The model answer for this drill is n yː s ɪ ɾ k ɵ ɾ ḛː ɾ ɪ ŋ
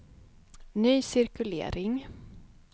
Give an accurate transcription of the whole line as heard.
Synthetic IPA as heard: n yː s ɪ ɾ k ɵ l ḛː ɾ ɪ ŋ

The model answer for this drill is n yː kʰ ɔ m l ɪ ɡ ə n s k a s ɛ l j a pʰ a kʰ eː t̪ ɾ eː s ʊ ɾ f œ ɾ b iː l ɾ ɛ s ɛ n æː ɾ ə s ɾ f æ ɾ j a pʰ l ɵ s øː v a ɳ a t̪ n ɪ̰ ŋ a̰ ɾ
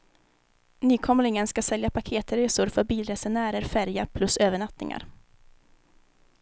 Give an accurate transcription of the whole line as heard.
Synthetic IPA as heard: n yː kʰ ɔ m l ɪ ŋ ə n s k a s ɛ l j a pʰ a kʰ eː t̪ ɾ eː s ʊ ɾ f œ ɾ b iː l ɾ ɛ s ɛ n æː ɾ ə ɾ f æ ɾ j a pʰ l ɵ s øː v ə ɳ a t̪ n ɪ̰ ŋ a̰ ɾ

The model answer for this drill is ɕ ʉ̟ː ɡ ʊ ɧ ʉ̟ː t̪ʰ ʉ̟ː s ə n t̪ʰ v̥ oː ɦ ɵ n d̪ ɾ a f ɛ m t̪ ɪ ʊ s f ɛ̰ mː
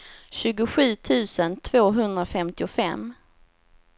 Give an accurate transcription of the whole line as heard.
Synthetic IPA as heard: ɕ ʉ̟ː ɡ ʊ ɧ ʉ̟ː t̪ʰ ʉ̟ː s ə n t̪ʰ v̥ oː ɦ ɵ n d̪ ɾ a f ɛ m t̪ ɪ ʊ f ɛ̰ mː

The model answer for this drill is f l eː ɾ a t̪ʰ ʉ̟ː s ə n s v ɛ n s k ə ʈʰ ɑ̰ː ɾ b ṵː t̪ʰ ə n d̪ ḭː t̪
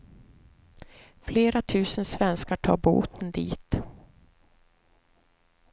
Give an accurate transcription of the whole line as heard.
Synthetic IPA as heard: f l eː ɾ a t̪ʰ ʉ̟ː s ə n s v ɛ n s k a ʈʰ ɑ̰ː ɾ b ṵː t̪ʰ ə n d̪ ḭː t̪

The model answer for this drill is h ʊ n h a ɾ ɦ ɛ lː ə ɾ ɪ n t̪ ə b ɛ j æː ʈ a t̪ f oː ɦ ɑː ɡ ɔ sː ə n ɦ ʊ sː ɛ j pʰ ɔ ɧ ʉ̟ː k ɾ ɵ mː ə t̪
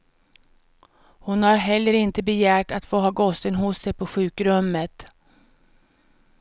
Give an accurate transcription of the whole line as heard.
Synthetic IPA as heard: h ʊ n h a ɾ ɦ ɛ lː ə ɾ ɪ n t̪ ə b ɛ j æː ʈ a t̪ f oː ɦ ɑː ɡ ɔ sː ə n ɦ ʊ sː ɛ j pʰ ɔ ɧ ʉ̟ː k ɾ ɵ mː ə t̪

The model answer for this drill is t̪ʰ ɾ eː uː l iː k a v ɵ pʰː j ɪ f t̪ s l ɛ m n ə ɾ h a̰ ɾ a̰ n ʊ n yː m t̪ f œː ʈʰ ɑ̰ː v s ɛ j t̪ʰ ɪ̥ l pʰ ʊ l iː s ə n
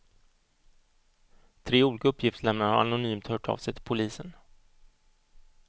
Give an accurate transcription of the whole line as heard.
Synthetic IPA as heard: t̪ʰ ɾ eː uː l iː k a ɵ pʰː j ɪ f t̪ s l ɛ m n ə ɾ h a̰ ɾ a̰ n ʊ n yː m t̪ h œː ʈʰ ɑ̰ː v s ɛ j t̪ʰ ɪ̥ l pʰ ʊ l iː s ə n

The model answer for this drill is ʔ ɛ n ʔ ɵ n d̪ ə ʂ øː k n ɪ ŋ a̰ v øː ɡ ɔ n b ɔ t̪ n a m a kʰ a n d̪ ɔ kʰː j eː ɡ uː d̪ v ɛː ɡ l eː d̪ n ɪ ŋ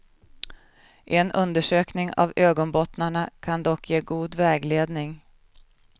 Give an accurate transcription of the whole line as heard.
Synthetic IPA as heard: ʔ ɛ n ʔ ɵ n d̪ ə ʂ øː k n ɪ ŋ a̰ v øː ɡ ɔ n b ɔ t̪ n a ɳ a kʰ a n d̪ ɔ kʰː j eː ɡ uː d̪ v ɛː ɡ l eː d̪ n ɪ ŋ

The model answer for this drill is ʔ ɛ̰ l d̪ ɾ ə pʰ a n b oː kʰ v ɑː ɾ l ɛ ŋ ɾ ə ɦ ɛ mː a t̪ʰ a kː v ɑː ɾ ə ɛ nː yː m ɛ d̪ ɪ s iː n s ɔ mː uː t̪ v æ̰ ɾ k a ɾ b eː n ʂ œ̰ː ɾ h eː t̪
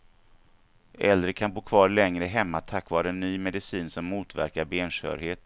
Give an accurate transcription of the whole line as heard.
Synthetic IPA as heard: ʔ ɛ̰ l d̪ ɾ ə kʰ a n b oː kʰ v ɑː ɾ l ɛ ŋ ɾ ə ɦ ɛ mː a t̪ʰ a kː v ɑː ɾ ə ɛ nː yː m ɛ d̪ ɪ s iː n s ɔ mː uː t̪ v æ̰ ɾ k a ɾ b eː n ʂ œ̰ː ɾ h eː t̪

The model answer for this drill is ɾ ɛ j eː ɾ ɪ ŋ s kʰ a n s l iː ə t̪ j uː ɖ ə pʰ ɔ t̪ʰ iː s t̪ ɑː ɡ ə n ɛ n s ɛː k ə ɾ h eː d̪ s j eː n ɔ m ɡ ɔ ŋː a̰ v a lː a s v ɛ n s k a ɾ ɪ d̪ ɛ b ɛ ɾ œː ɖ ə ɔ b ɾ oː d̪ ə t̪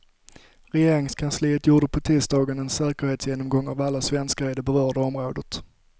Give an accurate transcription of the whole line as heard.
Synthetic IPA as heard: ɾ ɛ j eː ɾ ɪ ŋ s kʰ a n s l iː ə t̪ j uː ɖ ə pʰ ɔ t̪ʰ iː s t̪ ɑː ɡ ə n ɛ n s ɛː k ə ɾ h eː t̪ s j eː n ɔ m ɡ ɔ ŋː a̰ v a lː a s v ɛ n s k a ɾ ɪ d̪ ɛ b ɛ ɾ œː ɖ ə ɔ m ɾ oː d̪ ə t̪

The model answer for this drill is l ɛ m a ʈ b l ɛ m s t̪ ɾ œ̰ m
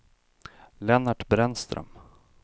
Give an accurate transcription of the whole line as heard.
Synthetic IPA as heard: l ɛ n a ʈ b ɾ ɛ n s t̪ ɾ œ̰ m

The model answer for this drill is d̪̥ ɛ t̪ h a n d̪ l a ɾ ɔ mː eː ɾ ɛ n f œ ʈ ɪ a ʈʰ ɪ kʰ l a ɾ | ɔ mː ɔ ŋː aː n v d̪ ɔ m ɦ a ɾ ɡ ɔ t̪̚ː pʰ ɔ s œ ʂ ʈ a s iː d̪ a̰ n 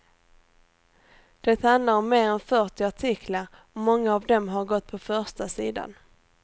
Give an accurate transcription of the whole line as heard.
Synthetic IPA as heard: d̪̥ ɛ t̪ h a n d̪ l a ɾ ɔ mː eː ɾ ɛ n f œ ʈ ɪ a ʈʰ ɪ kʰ l a ɾ | ɔ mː ɔ ŋː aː v d̪ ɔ m ɦ a ɾ ɡ ɔ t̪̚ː pʰ ɔ f œ ʂ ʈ a s iː d̪ a̰ n

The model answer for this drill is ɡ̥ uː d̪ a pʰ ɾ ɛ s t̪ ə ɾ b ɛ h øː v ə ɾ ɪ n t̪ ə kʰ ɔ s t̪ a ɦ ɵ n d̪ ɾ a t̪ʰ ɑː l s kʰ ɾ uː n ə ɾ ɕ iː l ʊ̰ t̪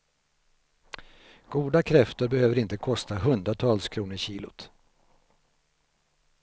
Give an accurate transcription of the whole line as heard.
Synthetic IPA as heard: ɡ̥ uː d̪ a kʰ ɾ ɛ f t̪ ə ɾ b ɛ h øː v ə ɾ ɪ n t̪ ə kʰ ɔ s t̪ a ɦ ɵ n d̪ ɾ a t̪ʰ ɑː l s kʰ ɾ uː n ə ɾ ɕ iː l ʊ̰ t̪

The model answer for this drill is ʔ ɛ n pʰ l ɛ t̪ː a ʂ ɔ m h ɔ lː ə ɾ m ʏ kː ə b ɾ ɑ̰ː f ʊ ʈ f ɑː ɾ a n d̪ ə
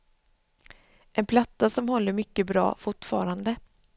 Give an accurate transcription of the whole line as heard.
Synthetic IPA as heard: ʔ ɛ n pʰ l a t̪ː a s ɔ m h ɔ lː ə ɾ m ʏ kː ə b ɾ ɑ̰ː f ʊ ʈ f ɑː ɾ a n d̪ ə

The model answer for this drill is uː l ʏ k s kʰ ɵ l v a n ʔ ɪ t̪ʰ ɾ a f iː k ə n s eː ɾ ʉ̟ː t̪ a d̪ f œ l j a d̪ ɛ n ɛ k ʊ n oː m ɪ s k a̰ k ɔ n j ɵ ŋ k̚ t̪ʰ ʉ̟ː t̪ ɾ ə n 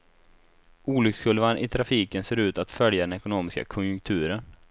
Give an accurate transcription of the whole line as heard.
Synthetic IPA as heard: uː l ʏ k s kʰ ɵ l v a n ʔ ɪ t̪ʰ ɾ a f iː k ə n s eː ɾ ʉ̟ː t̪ a t̪ f œ l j a d̪ ɛ n ɛ k ʊ n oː m ɪ s k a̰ kʰ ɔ n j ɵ ŋ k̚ t̪ʰ ʉ̟ː ɾ ə n

